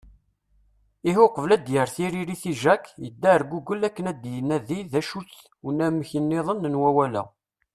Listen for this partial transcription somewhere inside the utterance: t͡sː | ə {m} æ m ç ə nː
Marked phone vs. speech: incorrect: n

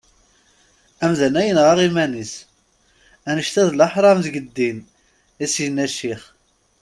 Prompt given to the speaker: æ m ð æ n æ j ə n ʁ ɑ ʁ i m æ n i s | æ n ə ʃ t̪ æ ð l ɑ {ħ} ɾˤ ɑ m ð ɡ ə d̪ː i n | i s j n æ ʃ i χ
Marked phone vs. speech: correct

